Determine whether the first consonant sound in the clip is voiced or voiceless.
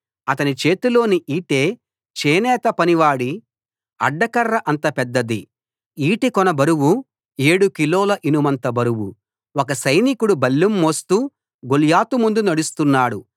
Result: voiceless